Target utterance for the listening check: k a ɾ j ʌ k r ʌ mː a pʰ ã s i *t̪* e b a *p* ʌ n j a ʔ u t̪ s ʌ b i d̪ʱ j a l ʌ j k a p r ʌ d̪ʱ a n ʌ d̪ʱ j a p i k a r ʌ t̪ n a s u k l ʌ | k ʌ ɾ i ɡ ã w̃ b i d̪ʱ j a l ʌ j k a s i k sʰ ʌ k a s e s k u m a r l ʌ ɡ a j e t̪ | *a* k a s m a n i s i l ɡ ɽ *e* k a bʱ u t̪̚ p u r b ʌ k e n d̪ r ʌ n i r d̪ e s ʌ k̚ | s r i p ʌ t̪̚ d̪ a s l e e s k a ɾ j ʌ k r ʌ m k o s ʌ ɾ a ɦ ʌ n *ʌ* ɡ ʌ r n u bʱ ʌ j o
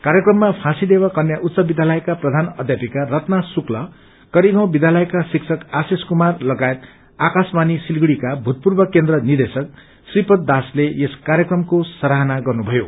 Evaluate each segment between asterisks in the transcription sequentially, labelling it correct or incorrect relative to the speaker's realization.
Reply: incorrect: d̪, incorrect: k, correct, incorrect: i, incorrect: a

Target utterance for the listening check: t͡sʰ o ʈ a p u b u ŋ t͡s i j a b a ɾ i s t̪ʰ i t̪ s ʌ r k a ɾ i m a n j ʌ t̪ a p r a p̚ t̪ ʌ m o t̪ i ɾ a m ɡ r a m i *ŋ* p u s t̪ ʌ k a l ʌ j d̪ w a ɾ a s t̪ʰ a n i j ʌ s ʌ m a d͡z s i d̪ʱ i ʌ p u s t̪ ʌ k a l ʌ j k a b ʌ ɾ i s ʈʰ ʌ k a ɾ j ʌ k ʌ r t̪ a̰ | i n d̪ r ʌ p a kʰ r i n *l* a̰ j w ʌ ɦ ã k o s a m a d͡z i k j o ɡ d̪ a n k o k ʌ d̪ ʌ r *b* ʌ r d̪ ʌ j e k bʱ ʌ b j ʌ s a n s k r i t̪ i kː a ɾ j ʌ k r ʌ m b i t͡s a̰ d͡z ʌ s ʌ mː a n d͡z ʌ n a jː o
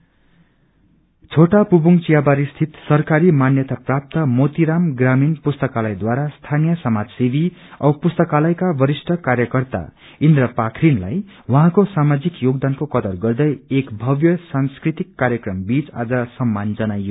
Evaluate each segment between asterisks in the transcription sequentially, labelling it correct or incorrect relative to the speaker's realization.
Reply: incorrect: n, correct, incorrect: ɡ

